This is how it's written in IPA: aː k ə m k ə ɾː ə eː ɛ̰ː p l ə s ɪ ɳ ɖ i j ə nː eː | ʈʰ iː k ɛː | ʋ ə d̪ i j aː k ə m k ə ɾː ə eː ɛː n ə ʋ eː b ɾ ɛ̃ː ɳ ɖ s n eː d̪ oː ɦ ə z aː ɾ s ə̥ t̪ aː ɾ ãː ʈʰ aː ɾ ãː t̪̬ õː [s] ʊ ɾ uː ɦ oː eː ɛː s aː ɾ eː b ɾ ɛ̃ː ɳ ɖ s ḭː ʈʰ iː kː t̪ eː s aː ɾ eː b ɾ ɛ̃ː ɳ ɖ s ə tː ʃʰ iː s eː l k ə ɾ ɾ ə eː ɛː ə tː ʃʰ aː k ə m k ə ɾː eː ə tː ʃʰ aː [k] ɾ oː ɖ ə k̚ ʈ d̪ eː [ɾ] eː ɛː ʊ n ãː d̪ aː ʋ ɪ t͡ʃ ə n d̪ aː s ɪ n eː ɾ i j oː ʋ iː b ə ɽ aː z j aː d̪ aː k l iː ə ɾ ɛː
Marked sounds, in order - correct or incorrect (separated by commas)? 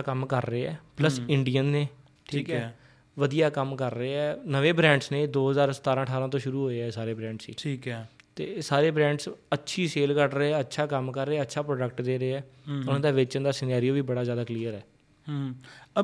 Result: incorrect, incorrect, correct